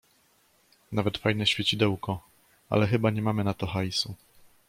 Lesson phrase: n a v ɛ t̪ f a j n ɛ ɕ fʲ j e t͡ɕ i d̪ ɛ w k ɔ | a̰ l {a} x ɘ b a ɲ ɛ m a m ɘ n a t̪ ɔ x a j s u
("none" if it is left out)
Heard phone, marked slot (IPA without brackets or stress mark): ɛ